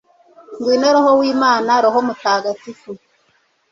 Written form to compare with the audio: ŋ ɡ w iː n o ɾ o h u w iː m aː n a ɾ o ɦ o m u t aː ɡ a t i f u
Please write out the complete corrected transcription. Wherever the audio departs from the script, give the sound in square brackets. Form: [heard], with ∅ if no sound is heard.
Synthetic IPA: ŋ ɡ w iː n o ɾ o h [o] w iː m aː n a ɾ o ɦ o m u t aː ɡ a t i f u